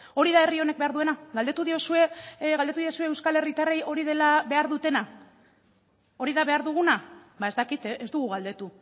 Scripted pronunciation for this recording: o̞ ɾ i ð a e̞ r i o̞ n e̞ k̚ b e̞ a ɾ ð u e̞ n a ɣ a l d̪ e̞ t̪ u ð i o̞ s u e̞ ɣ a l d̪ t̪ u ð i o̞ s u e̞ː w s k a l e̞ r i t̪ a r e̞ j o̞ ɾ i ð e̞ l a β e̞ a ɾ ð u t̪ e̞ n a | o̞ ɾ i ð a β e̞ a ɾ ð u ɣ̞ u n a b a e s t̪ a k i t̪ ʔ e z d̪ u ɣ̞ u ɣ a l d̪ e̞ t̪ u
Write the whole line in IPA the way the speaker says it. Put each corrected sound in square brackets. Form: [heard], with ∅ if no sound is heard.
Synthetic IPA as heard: o̞ ɾ i ð a e̞ r i o̞ n e̞ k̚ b e̞ a ɾ ð u e̞ n a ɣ a l d̪ e̞ t̪ u ð i o̞ s u e̞ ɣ a l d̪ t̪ u ð i o̞ s u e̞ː w s k a l e̞ r i t̪ a r e̞ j o̞ ɾ i ð e̞ l a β e̞ a ɾ ð u t̪ e̞ n a | o̞ ɾ i ð a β e̞ a ɾ ð u ɣ̞ u n a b a e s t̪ a k i t̪ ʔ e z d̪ u ɣ̞ u ɣ a l d̪ e̞ t̪ u

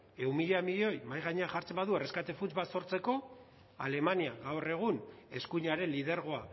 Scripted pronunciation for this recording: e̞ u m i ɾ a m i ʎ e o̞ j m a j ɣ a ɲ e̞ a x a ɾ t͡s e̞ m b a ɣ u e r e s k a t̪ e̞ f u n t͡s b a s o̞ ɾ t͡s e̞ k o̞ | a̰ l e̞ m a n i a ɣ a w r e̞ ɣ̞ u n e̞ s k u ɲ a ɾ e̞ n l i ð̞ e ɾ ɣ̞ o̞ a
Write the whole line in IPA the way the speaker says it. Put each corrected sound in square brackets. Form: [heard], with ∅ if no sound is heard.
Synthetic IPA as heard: e̞ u m i [ʎ] a m i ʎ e o̞ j m a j ɣ a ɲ e̞ a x a ɾ t͡s e̞ m b a [ð] u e r e s k a t̪ e̞ f u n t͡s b a s o̞ ɾ t͡s e̞ k o̞ | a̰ l e̞ m a n i a ɣ a w r e̞ ɣ̞ u n e̞ s k u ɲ a ɾ e̞ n l i ð̞ e ɾ ɣ̞ o̞ a

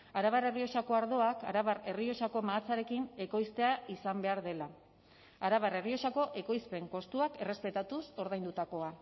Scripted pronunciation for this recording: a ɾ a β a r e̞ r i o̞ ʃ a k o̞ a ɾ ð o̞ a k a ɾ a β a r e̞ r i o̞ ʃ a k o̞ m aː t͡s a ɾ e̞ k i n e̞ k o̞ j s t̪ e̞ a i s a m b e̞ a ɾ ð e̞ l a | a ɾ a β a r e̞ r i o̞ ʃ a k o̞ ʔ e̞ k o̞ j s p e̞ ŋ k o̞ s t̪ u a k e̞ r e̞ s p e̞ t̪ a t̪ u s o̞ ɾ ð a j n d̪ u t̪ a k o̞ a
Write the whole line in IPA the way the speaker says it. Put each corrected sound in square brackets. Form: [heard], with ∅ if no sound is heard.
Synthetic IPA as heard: a ɾ a β a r e̞ r i o̞ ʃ a k o̞ a ɾ ð o̞ a k a ɾ a β a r e̞ r i o̞ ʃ a k o̞ m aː t͡s a ɾ e̞ k i n e̞ k o̞ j s t̪ e̞ a i s a m b e̞ a ɾ ð e̞ l a | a ɾ a β a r e̞ r i o̞ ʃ a k o̞ ʔ e̞ k o̞ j s p e̞ ŋ k o̞ s t̪ u a k e̞ r e̞ s p e̞ t̪ a t̪ u s o̞ ɾ ð a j n d̪ u t̪ a k o̞ a

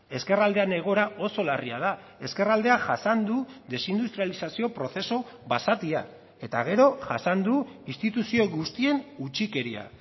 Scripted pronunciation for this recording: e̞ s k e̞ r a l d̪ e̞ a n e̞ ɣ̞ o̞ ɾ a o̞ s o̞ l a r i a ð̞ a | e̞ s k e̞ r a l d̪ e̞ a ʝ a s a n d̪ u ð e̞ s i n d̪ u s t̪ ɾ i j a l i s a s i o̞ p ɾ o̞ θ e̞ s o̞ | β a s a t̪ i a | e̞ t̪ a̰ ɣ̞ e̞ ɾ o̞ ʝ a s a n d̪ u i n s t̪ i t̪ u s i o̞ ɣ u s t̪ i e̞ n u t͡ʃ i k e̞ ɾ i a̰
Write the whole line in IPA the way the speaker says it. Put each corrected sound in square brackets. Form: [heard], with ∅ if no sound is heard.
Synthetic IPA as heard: e̞ s k e̞ r a l d̪ e̞ a n e̞ ɣ̞ o̞ ɾ a o̞ s o̞ l a r i a ð̞ a | e̞ s k e̞ r a l d̪ e̞ a ʝ a s a n d̪ u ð e̞ s i n d̪ u s t̪ ɾ i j a l i s a s i o̞ p ɾ o̞ θ e̞ s o̞ | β a s a t̪ i a | e̞ t̪ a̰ ɣ̞ e̞ ɾ o̞ ʝ a s a n d̪ u i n s t̪ i t̪ u s i o̞ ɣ u s t̪ i e̞ n u t͡ʃ i k e̞ ɾ i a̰

